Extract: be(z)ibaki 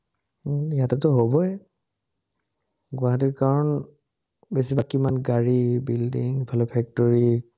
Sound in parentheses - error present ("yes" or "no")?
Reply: yes